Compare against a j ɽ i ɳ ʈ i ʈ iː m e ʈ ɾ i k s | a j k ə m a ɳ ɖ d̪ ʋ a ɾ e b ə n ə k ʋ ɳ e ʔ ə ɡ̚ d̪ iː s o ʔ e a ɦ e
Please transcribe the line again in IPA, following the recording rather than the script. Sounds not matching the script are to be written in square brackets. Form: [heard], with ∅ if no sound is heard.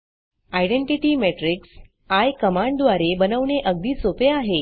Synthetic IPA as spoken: a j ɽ [e] ɳ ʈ i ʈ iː m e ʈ ɾ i k s | a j k ə m a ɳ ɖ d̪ ʋ a ɾ e b ə n ə [∅] ʋ ɳ e ʔ ə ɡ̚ d̪ iː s o [p] e a ɦ e